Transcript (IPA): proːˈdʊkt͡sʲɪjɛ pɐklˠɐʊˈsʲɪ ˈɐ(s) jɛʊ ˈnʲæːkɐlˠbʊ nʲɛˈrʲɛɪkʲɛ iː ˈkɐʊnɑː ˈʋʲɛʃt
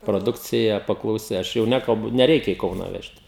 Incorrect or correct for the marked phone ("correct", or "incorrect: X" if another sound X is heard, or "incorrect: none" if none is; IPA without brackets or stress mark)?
incorrect: ʃ